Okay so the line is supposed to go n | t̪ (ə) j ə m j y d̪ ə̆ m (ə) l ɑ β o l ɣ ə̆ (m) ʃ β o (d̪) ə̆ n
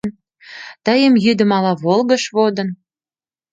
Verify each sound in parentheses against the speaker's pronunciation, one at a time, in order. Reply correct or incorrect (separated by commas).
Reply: correct, incorrect, incorrect, correct